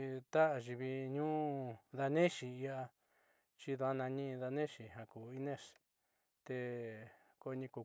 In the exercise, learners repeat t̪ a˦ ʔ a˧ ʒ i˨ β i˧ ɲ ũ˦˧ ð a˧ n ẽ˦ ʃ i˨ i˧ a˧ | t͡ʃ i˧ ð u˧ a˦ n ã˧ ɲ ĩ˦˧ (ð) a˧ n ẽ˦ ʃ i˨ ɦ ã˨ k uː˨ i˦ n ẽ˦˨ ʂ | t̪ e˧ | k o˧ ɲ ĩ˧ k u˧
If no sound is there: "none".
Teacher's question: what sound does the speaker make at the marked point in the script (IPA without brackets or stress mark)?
ð